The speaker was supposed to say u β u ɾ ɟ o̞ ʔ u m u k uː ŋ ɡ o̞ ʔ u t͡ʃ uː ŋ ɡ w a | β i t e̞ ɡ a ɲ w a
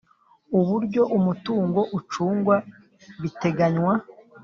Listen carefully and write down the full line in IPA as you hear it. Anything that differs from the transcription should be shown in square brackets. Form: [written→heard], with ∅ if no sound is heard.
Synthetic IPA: u β u ɾ ɟ o̞ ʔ u m u [k→t] uː ŋ ɡ o̞ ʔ u t͡ʃ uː ŋ ɡ w a | β i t e̞ ɡ a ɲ w a